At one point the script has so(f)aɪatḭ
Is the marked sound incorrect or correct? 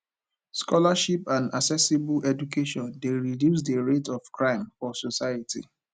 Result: incorrect: s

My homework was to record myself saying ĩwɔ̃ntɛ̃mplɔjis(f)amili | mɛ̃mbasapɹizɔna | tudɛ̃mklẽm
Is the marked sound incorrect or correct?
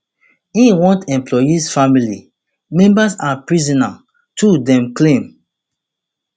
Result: correct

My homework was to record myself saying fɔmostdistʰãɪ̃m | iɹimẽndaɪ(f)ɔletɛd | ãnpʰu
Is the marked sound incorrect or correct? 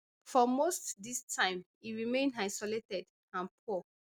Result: incorrect: s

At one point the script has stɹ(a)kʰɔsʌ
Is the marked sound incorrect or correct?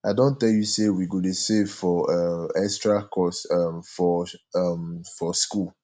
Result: correct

